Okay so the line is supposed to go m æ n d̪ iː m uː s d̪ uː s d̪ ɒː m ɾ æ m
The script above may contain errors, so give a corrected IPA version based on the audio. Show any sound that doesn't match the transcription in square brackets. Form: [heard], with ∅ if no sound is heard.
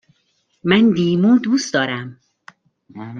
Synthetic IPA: m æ n d̪ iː m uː [∅] d̪ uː s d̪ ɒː [∅] ɾ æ m